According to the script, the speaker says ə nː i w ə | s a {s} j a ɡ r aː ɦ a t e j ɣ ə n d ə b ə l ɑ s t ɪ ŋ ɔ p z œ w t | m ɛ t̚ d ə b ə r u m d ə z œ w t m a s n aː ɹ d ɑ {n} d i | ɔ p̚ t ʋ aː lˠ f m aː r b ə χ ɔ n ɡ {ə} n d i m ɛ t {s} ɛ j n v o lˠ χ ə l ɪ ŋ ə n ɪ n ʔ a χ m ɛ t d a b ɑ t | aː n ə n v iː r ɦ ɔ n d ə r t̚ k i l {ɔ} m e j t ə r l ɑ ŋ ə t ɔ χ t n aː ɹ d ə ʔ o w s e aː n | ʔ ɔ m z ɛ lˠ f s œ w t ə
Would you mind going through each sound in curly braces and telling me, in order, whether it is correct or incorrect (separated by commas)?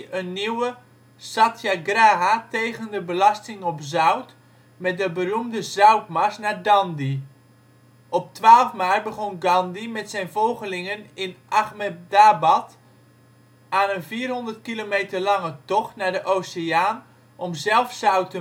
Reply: incorrect, correct, incorrect, correct, incorrect